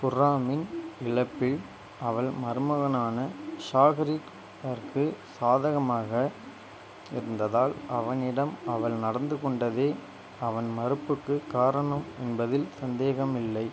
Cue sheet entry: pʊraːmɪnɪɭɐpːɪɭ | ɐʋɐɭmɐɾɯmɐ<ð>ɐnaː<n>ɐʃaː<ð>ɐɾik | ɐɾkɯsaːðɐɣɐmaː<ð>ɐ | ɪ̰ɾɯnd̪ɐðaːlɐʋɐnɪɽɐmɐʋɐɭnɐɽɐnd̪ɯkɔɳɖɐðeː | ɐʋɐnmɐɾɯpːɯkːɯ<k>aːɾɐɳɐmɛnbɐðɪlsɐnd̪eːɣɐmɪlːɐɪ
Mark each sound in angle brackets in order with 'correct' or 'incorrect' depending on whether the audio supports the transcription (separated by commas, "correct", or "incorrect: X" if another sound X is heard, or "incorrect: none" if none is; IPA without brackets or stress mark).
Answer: incorrect: ɣ, correct, incorrect: ɣ, incorrect: ɣ, correct